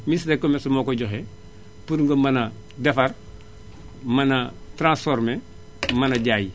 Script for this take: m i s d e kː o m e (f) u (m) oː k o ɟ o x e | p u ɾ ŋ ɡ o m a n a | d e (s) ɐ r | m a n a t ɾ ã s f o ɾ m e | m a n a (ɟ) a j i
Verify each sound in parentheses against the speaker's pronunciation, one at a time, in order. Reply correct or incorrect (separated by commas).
incorrect, correct, incorrect, correct